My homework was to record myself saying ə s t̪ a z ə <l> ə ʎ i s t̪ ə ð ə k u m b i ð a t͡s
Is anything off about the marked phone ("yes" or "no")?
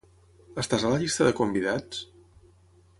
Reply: no